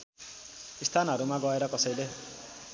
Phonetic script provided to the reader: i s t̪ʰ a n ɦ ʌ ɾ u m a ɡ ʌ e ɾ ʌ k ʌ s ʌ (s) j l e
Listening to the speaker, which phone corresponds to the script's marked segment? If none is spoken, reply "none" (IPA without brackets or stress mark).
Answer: none